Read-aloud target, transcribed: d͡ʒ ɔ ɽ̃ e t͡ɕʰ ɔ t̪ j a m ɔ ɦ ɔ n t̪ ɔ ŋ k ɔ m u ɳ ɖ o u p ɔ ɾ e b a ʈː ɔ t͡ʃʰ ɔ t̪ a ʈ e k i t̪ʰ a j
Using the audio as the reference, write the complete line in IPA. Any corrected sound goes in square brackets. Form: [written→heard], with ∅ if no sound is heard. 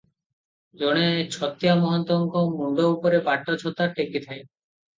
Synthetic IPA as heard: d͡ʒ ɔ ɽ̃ e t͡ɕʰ ɔ t̪ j a m ɔ ɦ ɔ n t̪ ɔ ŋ k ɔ m u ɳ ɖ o u p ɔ ɾ e b a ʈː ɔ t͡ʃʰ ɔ t̪ a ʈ e k i t̪ʰ a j